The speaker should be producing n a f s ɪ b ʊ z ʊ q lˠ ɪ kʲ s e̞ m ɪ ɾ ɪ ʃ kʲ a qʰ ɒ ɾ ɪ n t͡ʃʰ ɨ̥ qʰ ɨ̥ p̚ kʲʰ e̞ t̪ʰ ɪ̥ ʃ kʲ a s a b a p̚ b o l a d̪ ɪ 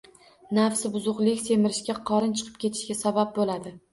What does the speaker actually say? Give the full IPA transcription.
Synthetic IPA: n a f s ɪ b ʊ z ʊ q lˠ ɪ kʲ s e̞ m ɪ ɾ ɪ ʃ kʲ a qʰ ɒ ɾ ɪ n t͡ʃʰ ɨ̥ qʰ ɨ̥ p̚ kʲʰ e̞ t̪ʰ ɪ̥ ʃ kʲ a s a b a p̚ b o l a d̪ ɪ